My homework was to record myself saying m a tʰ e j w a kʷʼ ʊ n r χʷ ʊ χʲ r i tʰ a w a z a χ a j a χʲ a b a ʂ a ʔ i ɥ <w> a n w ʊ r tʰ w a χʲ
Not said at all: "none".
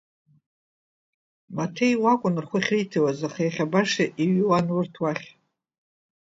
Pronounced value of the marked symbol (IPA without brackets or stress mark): w